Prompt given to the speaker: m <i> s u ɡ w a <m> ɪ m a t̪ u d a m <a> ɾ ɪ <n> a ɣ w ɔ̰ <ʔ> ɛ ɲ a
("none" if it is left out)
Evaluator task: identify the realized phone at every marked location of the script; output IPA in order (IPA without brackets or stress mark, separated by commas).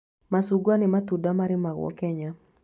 a, n, a, m, k